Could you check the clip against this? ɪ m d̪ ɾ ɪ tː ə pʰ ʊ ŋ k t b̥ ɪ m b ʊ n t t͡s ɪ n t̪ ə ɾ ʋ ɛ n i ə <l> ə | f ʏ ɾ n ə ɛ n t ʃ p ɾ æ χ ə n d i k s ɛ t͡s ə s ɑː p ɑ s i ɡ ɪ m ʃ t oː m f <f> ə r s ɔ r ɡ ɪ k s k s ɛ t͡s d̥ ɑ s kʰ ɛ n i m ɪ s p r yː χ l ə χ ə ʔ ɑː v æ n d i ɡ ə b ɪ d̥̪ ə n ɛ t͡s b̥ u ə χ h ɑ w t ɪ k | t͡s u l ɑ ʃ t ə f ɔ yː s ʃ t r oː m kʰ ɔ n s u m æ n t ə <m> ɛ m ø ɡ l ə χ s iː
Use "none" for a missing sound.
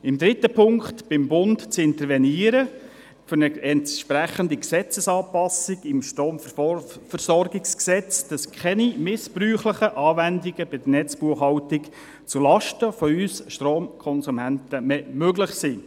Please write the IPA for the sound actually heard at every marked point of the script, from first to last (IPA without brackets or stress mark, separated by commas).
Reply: ɾ, f, m